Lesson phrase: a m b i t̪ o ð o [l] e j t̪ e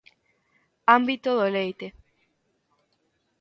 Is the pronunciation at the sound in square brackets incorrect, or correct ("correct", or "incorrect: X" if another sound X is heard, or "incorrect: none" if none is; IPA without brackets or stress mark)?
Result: correct